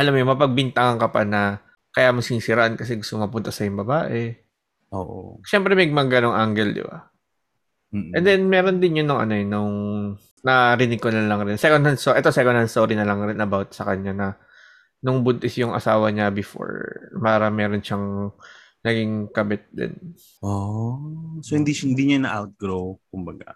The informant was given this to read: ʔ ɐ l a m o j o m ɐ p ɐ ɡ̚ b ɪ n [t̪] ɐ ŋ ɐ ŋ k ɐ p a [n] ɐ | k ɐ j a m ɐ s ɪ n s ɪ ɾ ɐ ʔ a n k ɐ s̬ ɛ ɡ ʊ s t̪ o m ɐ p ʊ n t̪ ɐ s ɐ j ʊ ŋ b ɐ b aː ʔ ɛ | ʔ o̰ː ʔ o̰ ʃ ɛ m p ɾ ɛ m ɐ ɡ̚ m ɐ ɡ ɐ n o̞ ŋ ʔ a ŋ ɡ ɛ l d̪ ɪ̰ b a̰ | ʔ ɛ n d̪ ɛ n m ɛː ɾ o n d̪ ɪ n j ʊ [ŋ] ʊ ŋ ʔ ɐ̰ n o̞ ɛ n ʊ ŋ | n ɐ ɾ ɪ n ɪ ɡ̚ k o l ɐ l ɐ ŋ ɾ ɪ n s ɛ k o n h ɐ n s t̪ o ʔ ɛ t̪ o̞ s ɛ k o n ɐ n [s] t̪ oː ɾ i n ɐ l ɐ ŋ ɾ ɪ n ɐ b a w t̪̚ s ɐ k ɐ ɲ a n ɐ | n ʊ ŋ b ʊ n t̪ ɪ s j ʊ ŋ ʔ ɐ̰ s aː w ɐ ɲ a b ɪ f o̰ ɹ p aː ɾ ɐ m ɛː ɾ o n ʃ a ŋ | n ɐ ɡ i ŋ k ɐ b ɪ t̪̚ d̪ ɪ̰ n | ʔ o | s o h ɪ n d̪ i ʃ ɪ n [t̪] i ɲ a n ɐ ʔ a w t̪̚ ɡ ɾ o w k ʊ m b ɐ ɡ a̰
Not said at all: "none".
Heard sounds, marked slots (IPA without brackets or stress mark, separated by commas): t̪, n, n, s, d̪